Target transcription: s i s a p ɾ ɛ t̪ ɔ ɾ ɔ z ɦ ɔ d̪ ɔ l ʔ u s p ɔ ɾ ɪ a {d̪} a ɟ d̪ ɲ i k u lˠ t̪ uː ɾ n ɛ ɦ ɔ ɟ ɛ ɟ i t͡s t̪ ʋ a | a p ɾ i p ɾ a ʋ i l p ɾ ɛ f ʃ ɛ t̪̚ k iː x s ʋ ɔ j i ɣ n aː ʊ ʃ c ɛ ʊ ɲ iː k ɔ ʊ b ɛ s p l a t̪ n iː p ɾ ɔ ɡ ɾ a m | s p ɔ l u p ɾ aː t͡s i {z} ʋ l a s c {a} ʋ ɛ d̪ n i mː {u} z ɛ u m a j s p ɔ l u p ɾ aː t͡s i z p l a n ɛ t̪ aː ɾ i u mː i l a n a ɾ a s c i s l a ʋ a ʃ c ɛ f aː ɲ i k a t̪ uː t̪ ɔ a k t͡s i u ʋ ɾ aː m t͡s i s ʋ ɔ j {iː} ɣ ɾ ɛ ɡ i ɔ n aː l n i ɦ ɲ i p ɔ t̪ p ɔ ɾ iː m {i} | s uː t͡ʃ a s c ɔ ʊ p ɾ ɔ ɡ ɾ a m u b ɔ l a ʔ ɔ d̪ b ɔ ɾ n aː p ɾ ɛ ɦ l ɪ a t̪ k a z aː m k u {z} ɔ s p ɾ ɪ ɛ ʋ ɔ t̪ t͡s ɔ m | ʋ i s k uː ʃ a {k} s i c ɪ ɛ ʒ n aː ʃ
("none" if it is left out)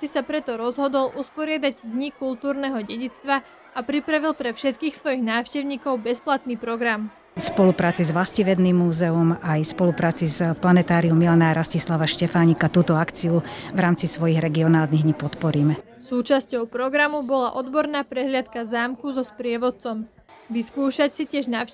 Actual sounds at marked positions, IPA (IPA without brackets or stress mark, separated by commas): d̪, z, i, uː, i, ɛ, z, c